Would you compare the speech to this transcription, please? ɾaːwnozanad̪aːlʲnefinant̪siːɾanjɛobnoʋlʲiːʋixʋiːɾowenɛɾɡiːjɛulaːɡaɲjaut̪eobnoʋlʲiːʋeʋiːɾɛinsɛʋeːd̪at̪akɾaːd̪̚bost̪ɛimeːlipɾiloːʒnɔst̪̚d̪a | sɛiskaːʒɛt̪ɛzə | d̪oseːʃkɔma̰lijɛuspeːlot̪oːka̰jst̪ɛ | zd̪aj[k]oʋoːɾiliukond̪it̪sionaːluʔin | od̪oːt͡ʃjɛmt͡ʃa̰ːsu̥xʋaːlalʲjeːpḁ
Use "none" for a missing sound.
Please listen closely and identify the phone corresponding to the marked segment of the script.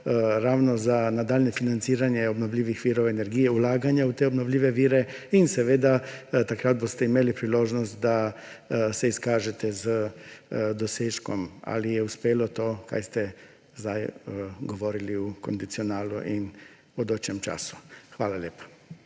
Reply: ɡ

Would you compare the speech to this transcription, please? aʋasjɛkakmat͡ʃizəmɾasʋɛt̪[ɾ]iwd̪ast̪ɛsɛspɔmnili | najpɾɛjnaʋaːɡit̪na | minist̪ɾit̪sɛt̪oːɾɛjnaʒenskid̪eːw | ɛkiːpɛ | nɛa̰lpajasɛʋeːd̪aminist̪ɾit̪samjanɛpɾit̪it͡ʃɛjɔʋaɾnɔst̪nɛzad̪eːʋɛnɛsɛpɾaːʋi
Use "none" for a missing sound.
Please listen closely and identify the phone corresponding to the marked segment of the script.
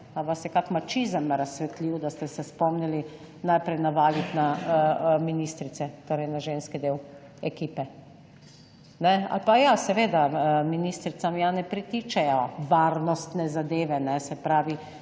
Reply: l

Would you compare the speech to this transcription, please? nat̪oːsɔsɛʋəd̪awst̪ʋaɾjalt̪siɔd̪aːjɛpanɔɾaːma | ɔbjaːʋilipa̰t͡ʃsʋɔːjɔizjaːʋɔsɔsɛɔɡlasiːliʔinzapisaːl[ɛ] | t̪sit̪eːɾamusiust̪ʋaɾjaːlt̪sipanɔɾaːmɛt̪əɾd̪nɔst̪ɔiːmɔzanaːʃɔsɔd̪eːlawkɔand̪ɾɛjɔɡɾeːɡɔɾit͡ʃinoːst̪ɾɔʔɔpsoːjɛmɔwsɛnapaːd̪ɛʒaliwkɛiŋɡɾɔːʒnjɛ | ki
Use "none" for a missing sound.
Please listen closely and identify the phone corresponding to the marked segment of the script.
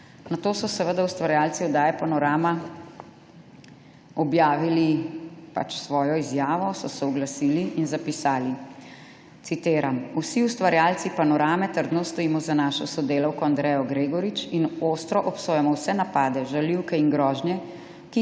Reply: i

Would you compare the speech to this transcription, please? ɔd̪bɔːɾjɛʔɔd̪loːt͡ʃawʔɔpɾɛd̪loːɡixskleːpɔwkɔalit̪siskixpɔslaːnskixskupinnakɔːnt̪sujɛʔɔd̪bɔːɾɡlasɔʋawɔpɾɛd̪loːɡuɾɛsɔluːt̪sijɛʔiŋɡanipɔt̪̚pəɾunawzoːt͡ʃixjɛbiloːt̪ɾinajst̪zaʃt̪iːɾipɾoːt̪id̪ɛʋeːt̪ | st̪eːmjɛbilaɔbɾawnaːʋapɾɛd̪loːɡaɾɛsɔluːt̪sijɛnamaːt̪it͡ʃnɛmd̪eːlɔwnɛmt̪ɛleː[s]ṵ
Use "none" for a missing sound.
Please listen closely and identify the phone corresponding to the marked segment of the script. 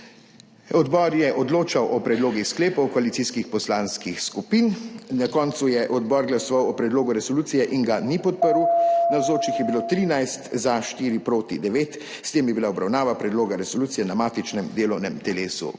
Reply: s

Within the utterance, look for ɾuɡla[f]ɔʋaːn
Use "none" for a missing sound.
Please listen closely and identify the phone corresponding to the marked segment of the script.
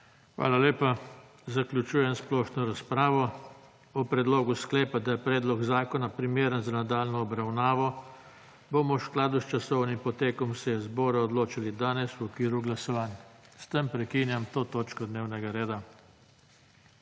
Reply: s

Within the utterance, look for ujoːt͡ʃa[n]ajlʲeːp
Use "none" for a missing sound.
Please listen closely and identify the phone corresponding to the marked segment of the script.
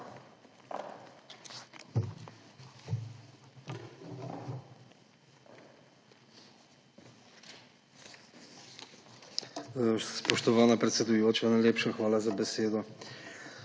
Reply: n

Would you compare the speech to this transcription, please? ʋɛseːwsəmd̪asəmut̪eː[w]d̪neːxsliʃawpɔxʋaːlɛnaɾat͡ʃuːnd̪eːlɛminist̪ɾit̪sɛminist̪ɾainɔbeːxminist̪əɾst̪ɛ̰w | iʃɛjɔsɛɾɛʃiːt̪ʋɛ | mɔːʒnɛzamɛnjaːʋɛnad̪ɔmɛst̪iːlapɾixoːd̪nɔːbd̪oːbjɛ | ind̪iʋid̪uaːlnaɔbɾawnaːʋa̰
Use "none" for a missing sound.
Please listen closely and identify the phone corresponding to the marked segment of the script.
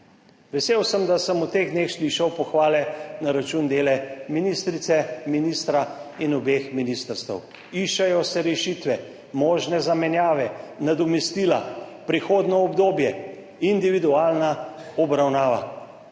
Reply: ɣ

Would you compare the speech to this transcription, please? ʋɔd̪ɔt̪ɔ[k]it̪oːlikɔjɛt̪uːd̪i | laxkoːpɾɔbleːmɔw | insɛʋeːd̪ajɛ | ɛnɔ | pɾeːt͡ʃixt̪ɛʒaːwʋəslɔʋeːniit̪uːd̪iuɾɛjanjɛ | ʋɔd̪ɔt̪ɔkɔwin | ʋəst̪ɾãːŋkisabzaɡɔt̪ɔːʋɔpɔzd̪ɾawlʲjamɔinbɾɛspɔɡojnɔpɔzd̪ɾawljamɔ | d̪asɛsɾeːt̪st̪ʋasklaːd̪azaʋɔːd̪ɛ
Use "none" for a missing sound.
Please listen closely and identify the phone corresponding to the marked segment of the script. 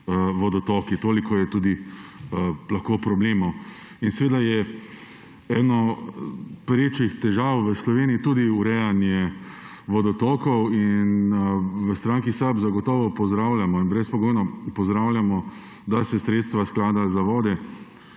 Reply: k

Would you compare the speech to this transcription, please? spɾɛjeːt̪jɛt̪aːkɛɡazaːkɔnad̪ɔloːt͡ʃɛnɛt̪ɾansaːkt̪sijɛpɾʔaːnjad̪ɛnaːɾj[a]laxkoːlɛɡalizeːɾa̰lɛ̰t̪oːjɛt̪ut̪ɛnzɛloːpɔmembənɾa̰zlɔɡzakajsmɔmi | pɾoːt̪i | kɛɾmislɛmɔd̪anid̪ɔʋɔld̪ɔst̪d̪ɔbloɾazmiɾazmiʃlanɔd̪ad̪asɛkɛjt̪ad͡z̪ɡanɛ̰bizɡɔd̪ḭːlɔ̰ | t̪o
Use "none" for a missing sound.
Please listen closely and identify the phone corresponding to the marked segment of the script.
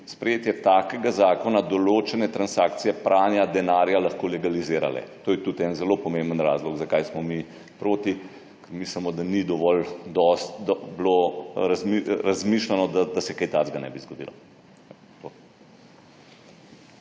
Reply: a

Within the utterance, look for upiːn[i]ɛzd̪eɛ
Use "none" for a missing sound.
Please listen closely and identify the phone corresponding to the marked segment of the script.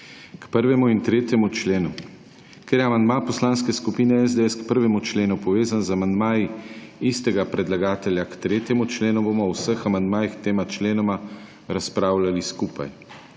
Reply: ɛ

